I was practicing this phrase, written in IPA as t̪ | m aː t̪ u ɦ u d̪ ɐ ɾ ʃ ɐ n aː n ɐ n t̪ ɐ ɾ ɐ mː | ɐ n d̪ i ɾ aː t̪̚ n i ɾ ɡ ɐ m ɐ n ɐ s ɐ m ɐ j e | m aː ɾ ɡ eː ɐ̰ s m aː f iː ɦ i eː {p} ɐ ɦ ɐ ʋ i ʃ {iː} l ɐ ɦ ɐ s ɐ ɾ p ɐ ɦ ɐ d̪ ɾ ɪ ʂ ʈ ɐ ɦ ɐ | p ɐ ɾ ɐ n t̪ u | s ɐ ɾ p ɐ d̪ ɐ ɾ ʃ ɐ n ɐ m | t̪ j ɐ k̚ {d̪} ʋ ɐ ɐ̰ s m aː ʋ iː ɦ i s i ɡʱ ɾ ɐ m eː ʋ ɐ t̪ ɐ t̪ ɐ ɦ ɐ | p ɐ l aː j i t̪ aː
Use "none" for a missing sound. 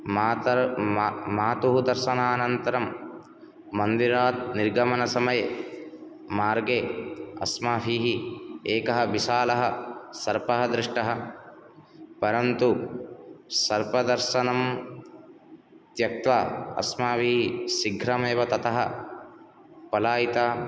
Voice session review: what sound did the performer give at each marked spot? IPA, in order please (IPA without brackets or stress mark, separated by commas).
k, aː, t̪